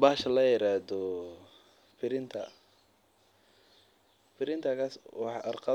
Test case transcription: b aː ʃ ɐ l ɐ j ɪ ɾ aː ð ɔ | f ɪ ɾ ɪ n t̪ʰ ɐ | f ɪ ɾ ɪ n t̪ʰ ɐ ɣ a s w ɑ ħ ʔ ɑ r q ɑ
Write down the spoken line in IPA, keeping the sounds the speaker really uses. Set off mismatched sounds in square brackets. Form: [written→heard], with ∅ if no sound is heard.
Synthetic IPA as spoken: b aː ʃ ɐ l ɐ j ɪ ɾ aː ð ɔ | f ɪ ɾ ɪ n t̪ʰ ɐ | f ɪ ɾ ɪ n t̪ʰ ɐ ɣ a s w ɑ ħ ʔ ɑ r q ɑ